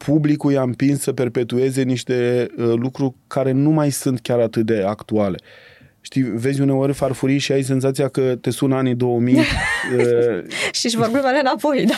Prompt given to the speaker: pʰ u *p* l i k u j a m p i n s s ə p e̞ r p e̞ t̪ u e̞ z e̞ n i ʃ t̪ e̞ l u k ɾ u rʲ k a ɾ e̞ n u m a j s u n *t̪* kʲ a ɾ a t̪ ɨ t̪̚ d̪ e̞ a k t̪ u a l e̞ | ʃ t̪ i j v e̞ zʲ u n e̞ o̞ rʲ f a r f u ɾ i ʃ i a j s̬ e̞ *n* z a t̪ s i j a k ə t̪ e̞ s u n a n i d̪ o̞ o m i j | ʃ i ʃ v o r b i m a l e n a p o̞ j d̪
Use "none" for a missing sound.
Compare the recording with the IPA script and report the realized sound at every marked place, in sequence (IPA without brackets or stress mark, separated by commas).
b, t̪, n